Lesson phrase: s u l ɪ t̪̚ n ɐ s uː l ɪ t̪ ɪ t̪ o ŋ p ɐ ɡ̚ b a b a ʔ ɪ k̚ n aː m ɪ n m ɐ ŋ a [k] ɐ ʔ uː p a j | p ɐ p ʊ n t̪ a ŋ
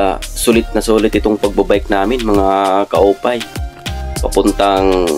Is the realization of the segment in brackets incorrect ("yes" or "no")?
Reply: no